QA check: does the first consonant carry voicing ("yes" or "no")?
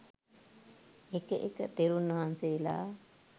no